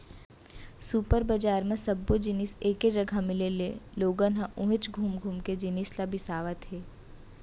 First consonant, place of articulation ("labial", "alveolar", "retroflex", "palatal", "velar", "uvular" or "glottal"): alveolar